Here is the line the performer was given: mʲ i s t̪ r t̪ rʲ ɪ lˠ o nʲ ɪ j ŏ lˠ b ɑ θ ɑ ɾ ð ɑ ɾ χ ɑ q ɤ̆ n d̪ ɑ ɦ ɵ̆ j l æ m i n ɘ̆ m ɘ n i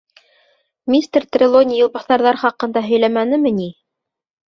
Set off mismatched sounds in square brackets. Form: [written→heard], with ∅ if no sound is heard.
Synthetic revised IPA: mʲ i s t̪ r t̪ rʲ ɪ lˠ o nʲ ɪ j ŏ lˠ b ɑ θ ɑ ɾ ð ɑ ɾ χ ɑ q ɤ̆ n d̪ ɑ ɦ ɵ̆ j l æ m [i→æ] n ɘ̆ m ɘ n i